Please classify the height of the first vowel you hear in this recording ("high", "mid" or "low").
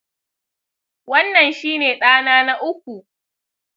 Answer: low